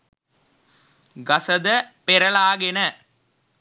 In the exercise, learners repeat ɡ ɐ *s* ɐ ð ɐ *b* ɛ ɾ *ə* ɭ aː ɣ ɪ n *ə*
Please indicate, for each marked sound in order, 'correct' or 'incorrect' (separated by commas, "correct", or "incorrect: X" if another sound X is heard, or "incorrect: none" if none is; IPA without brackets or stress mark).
correct, incorrect: p, incorrect: ɐ, incorrect: ɐ